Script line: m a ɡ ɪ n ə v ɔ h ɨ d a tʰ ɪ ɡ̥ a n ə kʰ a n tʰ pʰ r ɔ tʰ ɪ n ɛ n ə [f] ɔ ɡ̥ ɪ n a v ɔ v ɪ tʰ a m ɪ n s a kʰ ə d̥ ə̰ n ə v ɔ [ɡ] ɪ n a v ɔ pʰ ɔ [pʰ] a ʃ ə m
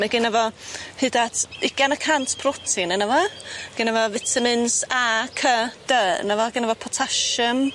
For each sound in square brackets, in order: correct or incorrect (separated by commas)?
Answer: incorrect, correct, incorrect